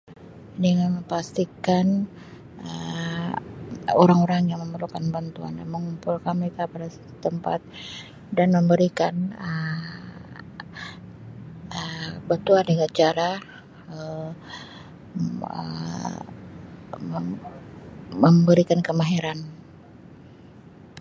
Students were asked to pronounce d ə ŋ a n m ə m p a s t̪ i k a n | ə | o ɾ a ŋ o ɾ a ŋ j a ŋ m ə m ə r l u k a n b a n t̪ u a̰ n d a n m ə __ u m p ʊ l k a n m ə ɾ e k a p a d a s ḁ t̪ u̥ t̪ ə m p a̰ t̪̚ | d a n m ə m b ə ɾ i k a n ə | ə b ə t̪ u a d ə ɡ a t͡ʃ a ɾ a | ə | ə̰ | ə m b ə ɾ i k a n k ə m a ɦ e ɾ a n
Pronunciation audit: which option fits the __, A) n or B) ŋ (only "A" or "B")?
B